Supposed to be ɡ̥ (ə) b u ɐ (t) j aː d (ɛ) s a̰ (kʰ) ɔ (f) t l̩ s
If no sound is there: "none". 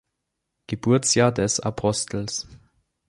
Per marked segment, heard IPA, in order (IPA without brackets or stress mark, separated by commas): ə, t͡s, ɛ, pʰ, s